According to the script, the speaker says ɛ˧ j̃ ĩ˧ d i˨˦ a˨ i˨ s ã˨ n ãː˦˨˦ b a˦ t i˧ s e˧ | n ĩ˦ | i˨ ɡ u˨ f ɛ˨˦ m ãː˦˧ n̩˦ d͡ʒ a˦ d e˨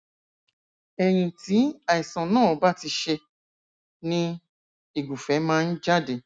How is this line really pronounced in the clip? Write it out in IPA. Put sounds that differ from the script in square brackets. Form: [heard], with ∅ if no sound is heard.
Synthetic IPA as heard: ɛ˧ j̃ ĩ˧ [t] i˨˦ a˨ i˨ s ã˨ n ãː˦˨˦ b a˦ t i˧ [ʃ] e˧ | n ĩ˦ | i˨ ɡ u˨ f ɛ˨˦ m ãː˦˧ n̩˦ d͡ʒ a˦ d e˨